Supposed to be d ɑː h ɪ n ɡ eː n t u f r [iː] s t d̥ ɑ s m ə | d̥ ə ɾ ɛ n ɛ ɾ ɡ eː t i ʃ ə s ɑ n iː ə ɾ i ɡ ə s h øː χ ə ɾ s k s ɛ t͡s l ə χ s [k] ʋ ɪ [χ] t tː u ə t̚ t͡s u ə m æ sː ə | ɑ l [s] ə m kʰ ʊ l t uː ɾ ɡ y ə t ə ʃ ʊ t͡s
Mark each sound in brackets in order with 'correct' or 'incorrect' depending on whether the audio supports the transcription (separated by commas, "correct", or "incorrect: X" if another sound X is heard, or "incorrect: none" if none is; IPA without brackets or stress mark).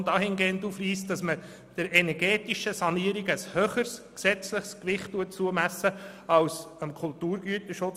correct, correct, correct, correct